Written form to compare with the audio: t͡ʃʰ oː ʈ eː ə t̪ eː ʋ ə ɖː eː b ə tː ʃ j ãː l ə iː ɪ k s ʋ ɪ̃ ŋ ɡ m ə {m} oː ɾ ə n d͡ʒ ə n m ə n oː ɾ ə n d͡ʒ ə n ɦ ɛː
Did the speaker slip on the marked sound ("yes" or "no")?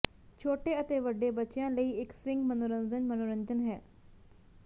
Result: yes